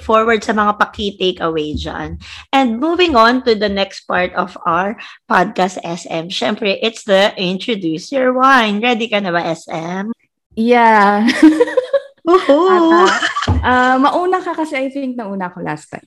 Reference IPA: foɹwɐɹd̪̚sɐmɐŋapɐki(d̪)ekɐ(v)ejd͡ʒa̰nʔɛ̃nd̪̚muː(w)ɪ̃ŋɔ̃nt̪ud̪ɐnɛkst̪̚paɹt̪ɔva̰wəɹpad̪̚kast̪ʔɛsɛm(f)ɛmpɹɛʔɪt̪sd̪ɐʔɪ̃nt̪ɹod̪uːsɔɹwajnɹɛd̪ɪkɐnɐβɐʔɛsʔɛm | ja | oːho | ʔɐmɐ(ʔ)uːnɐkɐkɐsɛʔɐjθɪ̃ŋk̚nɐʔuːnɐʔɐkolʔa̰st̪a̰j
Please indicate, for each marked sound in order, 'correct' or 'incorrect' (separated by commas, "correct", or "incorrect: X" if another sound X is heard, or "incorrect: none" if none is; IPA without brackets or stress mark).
incorrect: t̪, incorrect: w, incorrect: v, incorrect: ʃ, correct